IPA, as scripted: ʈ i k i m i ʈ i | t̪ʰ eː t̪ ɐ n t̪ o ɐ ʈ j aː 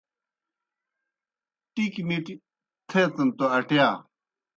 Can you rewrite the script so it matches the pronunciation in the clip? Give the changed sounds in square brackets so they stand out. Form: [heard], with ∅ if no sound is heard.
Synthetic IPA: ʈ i k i [n] i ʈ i | t̪ʰ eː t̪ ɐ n t̪ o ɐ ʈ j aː

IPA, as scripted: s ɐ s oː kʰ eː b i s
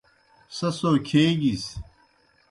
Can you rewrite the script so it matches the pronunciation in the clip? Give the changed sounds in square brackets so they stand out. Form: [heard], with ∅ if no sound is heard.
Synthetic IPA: s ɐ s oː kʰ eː [ɡ] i s

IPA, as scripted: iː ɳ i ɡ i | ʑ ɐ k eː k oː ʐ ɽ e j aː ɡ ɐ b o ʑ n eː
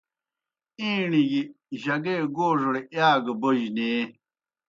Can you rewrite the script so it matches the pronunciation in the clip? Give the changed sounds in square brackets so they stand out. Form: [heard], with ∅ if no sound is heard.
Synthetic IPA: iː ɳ i ɡ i | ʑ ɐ [ɡ] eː [ɡ] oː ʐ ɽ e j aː ɡ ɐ b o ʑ n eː

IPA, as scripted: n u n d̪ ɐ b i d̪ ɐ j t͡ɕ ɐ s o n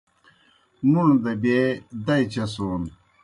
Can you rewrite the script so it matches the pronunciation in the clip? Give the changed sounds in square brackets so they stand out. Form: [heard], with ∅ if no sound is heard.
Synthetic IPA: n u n d̪ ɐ b [e] d̪ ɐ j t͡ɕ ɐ s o n

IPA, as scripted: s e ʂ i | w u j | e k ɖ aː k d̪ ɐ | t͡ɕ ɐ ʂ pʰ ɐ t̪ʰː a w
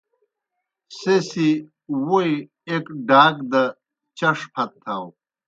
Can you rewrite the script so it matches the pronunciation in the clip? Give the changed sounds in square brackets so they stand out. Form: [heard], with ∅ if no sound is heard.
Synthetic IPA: s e [s] i | w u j | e k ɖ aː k d̪ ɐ | t͡ɕ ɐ ʂ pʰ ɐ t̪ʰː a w

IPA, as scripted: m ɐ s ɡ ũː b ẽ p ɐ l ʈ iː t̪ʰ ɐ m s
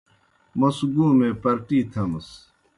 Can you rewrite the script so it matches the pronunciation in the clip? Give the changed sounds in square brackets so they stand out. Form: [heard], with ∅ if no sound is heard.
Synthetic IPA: m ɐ s ɡ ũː [m] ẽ p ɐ [ɾ] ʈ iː t̪ʰ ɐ m s

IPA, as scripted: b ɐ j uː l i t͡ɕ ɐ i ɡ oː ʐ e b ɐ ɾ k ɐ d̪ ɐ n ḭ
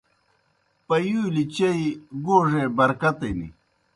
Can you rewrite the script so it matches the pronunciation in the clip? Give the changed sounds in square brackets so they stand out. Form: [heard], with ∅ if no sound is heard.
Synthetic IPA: [p] ɐ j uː l i t͡ɕ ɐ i ɡ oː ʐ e b ɐ ɾ k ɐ [t̪] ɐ n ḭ

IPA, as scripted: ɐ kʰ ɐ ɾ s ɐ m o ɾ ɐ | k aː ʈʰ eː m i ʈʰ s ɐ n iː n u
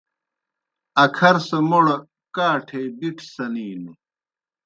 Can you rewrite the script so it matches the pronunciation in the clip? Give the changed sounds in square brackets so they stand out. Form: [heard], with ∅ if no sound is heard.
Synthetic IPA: ɐ kʰ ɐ ɾ s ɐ m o [ɽ] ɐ | k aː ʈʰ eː [b] i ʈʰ s ɐ n iː n u

